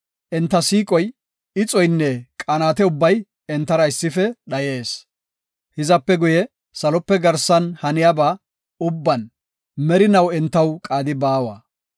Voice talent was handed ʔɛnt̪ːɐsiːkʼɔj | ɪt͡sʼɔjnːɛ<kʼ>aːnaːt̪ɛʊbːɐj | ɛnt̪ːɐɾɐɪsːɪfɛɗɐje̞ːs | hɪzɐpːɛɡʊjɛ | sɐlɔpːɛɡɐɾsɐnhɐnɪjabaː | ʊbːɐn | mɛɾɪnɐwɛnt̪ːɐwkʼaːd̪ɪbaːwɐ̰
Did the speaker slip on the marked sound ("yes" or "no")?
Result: no